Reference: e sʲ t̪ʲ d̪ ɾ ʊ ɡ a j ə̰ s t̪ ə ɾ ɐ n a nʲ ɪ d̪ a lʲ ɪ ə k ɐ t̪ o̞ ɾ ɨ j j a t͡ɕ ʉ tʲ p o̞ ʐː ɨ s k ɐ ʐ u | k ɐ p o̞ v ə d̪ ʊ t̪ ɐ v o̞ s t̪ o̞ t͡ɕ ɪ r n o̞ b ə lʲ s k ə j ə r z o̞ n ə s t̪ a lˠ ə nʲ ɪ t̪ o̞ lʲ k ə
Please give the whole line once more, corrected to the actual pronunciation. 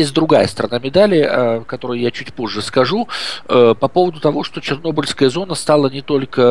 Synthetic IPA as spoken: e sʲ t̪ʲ d̪ ɾ ʊ ɡ a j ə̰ s t̪ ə ɾ ɐ n a mʲ ɪ d̪ a lʲ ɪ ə k ɐ t̪ o̞ ɾ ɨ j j a t͡ɕ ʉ tʲ p o̞ ʐː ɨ s k ɐ ʐ u | p ɐ p o̞ v ə d̪ ʊ t̪ ɐ v o̞ ʂ t̪ o̞ t͡ɕ ɪ r n o̞ b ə lʲ s k ə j ə z o̞ n ə s t̪ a lˠ ə nʲ ɪ t̪ o̞ lʲ k ə

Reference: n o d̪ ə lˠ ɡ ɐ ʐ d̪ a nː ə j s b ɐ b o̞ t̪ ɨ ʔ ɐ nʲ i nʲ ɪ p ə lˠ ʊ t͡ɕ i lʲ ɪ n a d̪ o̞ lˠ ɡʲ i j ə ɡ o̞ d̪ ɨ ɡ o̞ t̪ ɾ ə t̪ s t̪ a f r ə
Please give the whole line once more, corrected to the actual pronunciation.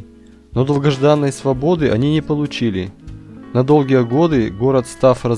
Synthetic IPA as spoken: n o d̪ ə lˠ ɡ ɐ ʐ d̪ a nː ə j s v ɐ b o̞ d̪ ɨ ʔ ɐ nʲ i nʲ ɪ p ə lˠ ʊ t͡ɕ i lʲ ɪ n ɐ d̪ o̞ lˠ ɡʲ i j ə ɡ o̞ d̪ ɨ ɡ o̞ ɾ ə t̪ s t̪ a f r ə

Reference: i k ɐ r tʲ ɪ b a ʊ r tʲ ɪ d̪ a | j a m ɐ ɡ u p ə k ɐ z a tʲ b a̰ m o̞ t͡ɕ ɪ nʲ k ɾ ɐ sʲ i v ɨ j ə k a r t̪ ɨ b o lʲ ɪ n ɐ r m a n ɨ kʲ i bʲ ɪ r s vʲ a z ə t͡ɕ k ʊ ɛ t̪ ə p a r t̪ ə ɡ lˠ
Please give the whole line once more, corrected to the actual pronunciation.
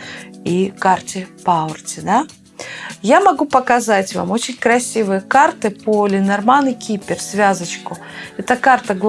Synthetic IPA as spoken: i k a r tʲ ɪ p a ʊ r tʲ ɪ d̪ a | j a m ɐ ɡ u p ə k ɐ z a tʲ v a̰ m o̞ t͡ɕ ɪ nʲ k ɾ ɐ sʲ i v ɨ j ə k a r t̪ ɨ p o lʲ ɪ n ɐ r m a n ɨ kʲ i pʲ ɪ r s vʲ a z ə t͡ɕ k ʊ ɛ t̪ ə k a r t̪ ə ɡ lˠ

